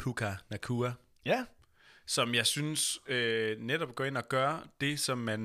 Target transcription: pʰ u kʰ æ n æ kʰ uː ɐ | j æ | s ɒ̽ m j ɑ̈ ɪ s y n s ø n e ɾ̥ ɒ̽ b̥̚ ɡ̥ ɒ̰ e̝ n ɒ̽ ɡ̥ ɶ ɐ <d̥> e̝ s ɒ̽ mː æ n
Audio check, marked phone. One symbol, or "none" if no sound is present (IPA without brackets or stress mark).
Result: d̥